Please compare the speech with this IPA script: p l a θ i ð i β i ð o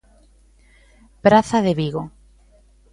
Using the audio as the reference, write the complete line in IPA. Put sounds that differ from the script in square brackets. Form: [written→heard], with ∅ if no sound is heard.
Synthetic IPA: p [l→ɾ] a θ [i→a] ð [i→e] β i [ð→ɣ] o